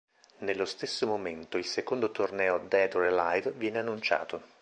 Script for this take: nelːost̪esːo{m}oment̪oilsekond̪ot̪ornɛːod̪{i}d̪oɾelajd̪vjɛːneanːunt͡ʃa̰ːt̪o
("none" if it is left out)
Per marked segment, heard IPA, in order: m, ɛ

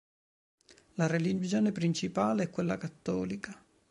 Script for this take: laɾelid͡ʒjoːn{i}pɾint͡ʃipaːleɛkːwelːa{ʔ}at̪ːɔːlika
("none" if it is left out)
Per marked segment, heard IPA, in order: e, k

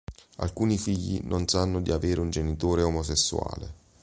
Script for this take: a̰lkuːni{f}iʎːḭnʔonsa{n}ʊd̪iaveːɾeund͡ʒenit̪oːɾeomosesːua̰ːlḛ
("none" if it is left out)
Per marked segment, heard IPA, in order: f, nː

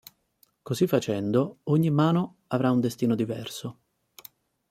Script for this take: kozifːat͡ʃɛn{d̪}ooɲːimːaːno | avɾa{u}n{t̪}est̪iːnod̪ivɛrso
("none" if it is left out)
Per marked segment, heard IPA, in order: d̪, u, d̪

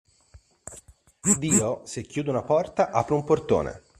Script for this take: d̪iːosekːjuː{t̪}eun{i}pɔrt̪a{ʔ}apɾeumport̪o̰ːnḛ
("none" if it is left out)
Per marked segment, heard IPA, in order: d̪, a, ʔ

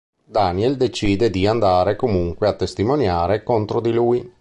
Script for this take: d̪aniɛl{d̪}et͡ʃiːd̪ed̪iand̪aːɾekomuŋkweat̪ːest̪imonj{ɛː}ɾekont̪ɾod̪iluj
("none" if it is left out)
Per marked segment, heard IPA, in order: d̪, aː

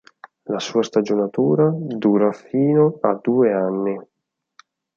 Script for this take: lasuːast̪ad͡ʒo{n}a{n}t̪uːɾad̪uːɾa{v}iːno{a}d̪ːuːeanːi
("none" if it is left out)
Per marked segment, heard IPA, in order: n, none, f, a

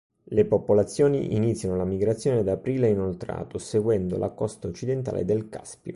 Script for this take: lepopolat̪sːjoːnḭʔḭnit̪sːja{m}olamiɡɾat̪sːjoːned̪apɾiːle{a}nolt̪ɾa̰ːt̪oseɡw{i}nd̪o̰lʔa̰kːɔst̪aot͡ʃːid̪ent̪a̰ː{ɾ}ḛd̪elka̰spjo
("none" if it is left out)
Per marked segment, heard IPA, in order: n, i, ɛ, l

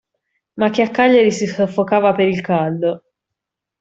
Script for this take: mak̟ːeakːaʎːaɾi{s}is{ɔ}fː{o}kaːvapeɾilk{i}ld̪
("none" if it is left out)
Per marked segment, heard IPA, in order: s, o, o, a

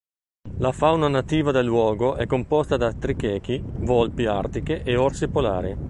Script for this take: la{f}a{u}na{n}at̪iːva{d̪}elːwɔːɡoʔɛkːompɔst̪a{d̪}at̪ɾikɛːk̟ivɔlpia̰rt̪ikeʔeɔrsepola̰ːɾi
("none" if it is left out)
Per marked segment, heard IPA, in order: f, w, n, d̪, d̪

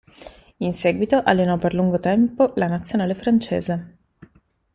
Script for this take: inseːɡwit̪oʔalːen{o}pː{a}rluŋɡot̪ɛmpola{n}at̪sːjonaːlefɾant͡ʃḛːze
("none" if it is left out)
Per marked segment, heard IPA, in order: ɔ, e, n

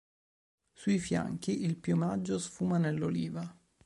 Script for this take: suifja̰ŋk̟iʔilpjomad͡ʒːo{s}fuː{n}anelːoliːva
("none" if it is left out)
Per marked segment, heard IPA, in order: s, m

